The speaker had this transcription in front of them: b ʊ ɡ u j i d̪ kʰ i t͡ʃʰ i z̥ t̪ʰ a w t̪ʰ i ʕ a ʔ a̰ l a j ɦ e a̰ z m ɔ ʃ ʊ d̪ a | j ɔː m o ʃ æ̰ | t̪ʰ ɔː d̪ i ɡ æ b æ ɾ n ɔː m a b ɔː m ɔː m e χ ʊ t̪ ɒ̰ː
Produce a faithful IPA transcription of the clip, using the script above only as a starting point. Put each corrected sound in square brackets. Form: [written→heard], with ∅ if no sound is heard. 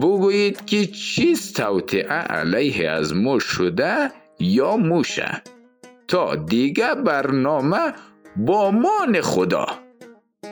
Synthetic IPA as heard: b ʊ ɡ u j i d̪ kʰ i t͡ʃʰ i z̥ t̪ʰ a w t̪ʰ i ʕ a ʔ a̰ l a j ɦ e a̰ z m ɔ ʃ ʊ d̪ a | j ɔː m [o→u] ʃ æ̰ | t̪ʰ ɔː d̪ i ɡ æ b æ ɾ n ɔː m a b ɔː m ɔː [m→n] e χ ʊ [t̪→d̪] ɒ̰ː